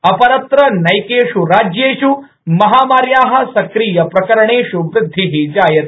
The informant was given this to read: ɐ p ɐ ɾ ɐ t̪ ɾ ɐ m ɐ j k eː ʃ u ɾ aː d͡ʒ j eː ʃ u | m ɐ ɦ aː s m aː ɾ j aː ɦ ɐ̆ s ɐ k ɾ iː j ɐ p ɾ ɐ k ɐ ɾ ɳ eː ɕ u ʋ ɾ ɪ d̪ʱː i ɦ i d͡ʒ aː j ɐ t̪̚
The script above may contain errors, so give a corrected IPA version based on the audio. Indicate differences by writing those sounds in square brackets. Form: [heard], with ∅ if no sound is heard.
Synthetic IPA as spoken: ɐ p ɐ ɾ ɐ t̪ ɾ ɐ [n] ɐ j k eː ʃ u ɾ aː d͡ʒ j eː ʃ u | m ɐ ɦ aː [∅] m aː ɾ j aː ɦ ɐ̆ s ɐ k ɾ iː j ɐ p ɾ ɐ k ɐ ɾ ɳ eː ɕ u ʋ ɾ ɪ d̪ʱː i ɦ i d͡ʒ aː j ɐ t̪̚